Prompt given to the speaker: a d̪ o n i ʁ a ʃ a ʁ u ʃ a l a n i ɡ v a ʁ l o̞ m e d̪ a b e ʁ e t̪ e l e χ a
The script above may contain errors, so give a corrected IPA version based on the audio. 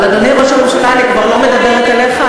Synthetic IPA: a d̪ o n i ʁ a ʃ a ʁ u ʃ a l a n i k v a ʁ l o̞ m e d̪ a b e ʁ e t̪ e l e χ a